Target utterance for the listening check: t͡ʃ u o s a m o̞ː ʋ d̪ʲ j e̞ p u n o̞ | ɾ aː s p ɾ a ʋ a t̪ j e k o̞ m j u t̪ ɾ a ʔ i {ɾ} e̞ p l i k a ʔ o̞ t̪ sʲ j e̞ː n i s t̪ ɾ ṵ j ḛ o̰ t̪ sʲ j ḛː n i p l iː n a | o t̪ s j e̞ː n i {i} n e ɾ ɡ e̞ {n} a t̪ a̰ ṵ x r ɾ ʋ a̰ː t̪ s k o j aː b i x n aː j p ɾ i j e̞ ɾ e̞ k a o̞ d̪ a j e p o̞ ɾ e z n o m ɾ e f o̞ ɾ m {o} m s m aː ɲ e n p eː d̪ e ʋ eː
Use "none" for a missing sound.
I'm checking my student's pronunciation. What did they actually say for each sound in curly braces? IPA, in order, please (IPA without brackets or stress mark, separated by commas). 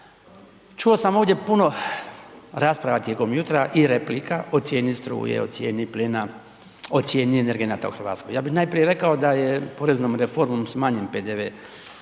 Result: ɾ, e, n, o